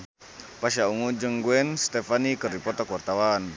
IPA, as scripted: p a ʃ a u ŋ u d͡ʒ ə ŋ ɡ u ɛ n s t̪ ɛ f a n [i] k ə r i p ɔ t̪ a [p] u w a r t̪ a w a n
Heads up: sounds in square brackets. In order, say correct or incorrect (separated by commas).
correct, incorrect